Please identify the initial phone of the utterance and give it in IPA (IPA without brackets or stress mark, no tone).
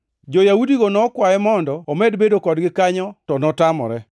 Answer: d͡ʒ